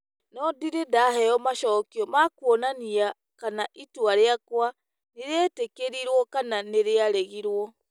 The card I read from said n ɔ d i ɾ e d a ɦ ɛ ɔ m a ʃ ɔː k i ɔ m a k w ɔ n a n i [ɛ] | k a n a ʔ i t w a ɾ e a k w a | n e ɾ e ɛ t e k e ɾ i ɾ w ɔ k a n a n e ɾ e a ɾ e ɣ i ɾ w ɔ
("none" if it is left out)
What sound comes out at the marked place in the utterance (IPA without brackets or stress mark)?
a